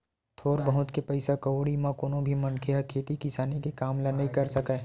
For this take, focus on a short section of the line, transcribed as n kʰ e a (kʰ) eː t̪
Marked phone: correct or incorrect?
correct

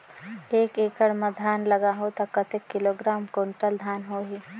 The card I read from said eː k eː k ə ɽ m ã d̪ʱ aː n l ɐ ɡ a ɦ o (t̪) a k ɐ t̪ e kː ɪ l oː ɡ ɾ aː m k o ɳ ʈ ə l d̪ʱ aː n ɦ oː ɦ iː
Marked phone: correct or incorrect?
correct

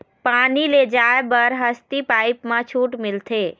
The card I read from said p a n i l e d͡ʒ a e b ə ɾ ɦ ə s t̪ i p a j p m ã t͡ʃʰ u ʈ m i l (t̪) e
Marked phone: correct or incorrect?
incorrect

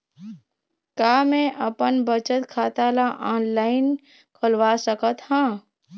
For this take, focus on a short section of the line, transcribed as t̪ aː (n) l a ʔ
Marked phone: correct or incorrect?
incorrect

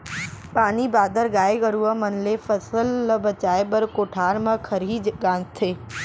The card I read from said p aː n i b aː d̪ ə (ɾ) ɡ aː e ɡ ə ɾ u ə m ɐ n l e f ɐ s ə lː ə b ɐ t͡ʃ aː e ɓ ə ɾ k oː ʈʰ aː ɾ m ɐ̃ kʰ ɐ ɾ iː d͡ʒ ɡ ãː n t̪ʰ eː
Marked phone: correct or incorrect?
correct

